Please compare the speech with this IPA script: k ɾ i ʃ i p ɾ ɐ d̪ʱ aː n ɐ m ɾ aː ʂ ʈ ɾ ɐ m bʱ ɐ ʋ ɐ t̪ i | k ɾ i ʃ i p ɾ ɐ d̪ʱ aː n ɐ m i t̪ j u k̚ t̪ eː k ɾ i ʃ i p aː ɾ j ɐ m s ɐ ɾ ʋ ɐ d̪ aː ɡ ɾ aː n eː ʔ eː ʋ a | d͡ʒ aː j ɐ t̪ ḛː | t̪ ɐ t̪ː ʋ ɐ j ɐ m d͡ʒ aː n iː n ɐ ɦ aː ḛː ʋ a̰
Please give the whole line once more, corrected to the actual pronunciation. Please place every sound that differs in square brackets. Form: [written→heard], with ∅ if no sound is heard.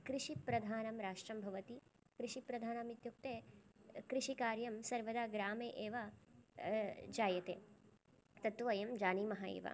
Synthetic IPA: k ɾ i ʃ i p ɾ ɐ d̪ʱ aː n ɐ m ɾ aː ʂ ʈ ɾ ɐ m bʱ ɐ ʋ ɐ t̪ i | k ɾ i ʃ i p ɾ ɐ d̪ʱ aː n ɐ m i t̪ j u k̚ t̪ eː k ɾ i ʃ i [p→k] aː ɾ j ɐ m s ɐ ɾ ʋ ɐ d̪ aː ɡ ɾ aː [n→m] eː ʔ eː ʋ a | d͡ʒ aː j ɐ t̪ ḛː | t̪ ɐ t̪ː ʋ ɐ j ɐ m d͡ʒ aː n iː [n→m] ɐ ɦ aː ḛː ʋ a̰